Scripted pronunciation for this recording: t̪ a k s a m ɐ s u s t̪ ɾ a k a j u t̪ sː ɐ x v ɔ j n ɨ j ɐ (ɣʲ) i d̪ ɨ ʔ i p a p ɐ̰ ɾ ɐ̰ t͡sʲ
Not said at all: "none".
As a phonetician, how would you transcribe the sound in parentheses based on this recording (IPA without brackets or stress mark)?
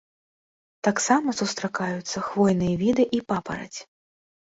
vʲ